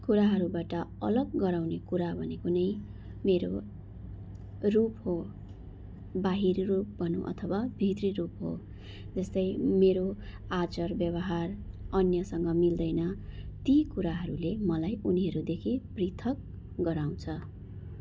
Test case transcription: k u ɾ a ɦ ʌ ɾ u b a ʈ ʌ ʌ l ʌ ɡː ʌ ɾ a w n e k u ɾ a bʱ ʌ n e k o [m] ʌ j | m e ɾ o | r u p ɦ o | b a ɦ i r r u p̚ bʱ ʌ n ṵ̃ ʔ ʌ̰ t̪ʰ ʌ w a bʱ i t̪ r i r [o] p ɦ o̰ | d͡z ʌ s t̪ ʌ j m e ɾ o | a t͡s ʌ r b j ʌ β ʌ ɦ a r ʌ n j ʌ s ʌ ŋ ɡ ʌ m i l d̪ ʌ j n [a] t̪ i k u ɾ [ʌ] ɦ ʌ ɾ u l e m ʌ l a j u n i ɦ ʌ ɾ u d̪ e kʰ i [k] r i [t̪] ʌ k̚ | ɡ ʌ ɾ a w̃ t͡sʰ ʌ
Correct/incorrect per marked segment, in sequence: incorrect: n, incorrect: u, incorrect: ʌ, incorrect: a, incorrect: p, incorrect: t̪ʰ

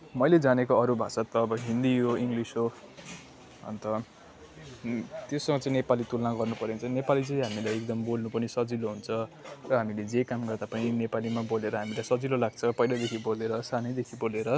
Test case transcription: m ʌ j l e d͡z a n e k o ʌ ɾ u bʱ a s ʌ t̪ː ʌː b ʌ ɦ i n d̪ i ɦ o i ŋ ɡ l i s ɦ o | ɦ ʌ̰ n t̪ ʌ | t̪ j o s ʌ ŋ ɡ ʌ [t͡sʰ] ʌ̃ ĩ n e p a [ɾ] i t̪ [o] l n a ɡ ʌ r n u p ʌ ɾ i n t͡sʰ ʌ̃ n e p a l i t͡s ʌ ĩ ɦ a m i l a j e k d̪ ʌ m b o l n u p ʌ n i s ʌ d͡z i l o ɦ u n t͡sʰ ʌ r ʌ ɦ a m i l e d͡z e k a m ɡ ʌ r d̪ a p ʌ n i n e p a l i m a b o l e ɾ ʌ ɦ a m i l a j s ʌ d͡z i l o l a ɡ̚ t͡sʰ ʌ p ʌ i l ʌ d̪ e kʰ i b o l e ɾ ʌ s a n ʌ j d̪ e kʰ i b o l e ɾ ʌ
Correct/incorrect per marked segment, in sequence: incorrect: t͡s, incorrect: l, incorrect: u

